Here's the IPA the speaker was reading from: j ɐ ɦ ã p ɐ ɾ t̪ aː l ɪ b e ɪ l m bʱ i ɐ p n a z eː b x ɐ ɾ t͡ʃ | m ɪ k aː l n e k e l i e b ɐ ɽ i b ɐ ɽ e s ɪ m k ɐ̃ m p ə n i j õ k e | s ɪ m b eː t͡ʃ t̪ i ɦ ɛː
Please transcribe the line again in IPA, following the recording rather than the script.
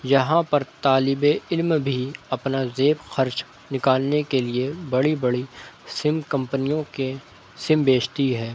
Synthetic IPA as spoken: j ɐ ɦ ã p ɐ ɾ t̪ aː l ɪ b e ɪ l m bʱ i ɐ p n a z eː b x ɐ ɾ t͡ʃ | n ɪ k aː l n e k e l i e b ɐ ɽ i b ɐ ɽ i s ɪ m k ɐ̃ m p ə n i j õ k e | s ɪ m b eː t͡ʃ t̪ i ɦ ɛː